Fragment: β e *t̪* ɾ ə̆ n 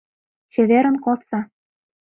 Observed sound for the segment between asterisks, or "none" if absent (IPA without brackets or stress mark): none